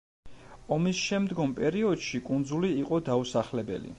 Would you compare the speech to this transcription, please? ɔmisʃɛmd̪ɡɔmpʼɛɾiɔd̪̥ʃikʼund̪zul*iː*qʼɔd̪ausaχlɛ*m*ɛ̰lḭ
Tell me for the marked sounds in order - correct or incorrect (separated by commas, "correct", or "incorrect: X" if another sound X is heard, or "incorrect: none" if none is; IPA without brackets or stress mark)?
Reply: correct, incorrect: b